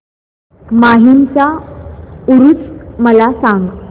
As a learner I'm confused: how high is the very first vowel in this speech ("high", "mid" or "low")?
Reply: low